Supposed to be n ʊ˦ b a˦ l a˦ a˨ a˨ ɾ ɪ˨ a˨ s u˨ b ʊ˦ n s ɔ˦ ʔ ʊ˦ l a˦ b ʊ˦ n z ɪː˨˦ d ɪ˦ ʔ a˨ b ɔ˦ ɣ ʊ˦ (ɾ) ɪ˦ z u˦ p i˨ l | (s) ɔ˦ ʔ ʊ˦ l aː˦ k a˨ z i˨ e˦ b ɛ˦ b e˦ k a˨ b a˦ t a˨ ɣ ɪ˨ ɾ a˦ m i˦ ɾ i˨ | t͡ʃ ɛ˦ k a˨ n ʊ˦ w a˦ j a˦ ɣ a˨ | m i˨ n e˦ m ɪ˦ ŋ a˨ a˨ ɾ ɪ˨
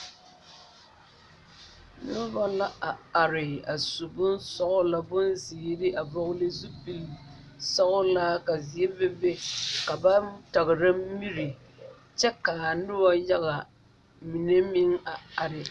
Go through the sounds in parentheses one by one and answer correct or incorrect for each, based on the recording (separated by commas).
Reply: incorrect, correct